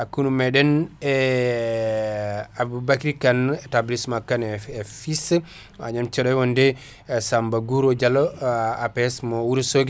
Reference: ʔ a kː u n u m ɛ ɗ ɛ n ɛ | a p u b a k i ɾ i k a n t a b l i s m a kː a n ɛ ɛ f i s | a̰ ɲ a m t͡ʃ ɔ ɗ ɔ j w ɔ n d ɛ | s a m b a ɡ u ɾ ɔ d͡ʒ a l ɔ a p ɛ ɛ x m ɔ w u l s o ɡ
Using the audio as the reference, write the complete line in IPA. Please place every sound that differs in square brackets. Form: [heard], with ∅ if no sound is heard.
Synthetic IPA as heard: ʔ a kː u n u m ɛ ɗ ɛ n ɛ | a [b] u b a k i ɾ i k a n t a b l i s m a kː a n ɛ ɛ f i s | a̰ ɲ a m t͡ʃ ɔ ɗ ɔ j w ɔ n d ɛ | s a m b a ɡ u ɾ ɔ d͡ʒ a l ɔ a p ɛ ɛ [s] m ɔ w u [ɾ] s o ɡ